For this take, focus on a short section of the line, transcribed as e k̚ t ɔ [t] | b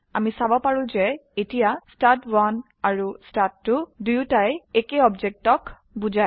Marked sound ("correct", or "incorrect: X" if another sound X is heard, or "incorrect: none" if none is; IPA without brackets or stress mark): incorrect: k